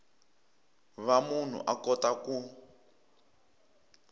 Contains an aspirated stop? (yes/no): no